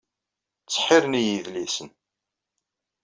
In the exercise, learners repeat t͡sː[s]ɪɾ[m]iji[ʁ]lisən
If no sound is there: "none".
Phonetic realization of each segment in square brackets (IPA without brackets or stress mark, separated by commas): ħ, n, ð